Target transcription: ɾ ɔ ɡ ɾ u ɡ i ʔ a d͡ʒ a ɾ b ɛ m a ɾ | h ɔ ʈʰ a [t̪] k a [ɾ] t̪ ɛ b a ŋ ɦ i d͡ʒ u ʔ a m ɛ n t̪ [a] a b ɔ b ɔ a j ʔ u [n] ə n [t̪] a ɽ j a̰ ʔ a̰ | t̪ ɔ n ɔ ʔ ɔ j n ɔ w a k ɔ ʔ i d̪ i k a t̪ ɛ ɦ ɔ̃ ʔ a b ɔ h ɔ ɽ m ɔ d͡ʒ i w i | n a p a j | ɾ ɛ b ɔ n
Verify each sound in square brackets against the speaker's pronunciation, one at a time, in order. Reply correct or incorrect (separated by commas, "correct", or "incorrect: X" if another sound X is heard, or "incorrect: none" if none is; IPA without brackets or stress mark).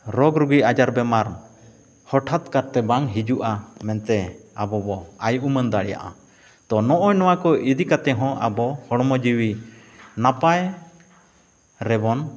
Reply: correct, correct, incorrect: ɛ, incorrect: m, incorrect: d̪